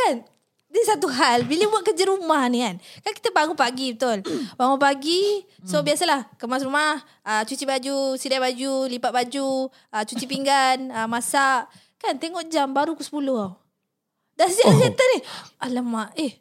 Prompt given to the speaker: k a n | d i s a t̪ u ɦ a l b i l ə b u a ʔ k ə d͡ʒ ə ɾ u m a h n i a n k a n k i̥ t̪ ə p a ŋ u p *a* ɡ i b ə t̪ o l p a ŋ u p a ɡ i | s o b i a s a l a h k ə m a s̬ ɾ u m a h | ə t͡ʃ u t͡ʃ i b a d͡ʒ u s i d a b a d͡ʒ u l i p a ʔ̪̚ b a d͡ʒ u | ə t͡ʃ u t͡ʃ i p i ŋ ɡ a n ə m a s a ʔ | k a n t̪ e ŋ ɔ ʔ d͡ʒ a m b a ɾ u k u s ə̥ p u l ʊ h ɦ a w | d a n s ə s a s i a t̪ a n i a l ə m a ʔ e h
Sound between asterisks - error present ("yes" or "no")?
no